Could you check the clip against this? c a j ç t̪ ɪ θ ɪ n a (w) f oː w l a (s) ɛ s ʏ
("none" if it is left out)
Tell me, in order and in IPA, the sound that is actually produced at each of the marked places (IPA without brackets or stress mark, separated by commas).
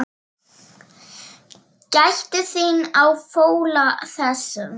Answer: w, θ